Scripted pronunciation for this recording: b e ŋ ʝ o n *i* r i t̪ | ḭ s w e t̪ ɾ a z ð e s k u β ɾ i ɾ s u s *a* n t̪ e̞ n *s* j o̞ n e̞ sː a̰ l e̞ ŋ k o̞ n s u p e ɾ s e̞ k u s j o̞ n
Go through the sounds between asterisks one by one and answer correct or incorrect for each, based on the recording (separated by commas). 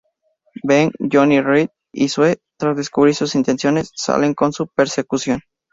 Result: correct, incorrect, correct